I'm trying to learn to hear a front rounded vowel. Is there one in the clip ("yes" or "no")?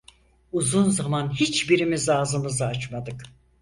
no